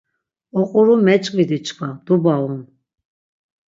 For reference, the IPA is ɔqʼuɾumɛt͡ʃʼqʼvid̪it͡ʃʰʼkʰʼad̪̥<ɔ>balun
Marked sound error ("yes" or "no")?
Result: yes